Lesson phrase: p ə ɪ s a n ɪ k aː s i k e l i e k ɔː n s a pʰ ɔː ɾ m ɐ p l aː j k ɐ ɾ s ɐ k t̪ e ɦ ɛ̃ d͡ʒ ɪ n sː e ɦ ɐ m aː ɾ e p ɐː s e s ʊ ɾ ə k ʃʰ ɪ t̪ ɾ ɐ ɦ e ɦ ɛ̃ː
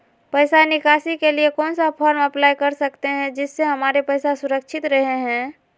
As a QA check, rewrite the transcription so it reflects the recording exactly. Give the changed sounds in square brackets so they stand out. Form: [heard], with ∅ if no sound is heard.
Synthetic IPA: p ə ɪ s a n ɪ k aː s i k e l i e k ɔː n s a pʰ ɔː ɾ m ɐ p l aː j k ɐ ɾ s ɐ k t̪ e ɦ ɛ̃ d͡ʒ ɪ [∅] sː e ɦ ɐ m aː ɾ e p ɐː s [a] s ʊ ɾ ə k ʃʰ ɪ t̪ ɾ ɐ ɦ e ɦ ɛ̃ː